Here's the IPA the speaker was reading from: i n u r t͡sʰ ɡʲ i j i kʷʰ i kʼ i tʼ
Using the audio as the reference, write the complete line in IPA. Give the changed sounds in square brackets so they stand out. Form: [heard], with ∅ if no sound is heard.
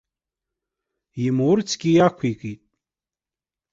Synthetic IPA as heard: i [m] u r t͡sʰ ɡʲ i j [a] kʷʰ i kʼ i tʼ